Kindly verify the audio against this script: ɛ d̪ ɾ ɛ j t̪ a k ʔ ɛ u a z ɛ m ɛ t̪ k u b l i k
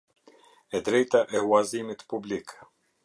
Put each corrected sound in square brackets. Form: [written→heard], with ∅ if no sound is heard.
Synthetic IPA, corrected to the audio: ɛ d̪ ɾ ɛ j t̪ a [k→∅] ʔ ɛ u a z [ɛ→i] m [ɛ→i] t̪ [k→p] u b l i k